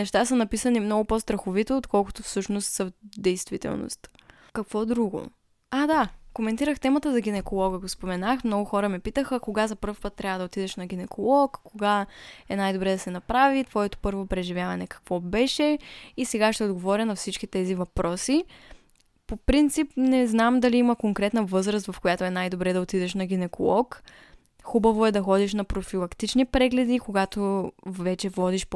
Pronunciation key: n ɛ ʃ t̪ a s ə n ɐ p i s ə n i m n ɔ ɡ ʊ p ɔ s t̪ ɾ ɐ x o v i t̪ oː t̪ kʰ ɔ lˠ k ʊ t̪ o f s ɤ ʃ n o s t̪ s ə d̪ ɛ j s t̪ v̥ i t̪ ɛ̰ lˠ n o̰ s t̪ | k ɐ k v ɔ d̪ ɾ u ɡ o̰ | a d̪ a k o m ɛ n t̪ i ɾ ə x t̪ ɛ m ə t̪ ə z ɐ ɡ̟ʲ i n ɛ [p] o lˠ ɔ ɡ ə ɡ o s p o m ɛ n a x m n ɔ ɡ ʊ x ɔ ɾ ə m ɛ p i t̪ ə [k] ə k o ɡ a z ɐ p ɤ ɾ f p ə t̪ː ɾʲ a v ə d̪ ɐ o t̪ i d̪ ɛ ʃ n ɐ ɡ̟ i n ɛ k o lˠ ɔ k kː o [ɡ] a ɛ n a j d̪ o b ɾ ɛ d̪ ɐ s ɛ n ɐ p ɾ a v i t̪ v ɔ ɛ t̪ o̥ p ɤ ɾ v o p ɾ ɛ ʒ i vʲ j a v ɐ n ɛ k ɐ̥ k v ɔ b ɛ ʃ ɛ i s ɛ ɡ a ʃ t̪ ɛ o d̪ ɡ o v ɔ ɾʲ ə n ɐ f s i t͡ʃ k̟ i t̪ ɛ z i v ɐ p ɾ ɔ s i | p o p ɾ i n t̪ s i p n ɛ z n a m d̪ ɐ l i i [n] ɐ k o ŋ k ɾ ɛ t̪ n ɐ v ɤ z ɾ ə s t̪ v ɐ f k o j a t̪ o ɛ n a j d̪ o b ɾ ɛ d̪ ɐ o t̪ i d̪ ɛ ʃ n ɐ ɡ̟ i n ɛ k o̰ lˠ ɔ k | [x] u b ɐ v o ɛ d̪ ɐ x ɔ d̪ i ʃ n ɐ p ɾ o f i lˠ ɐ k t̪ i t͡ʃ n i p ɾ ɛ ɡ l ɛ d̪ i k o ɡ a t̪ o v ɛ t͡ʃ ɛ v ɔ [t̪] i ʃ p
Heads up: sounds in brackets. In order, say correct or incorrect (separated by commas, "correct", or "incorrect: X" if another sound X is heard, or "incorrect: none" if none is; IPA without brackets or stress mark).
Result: incorrect: k, incorrect: x, correct, incorrect: m, correct, incorrect: d̪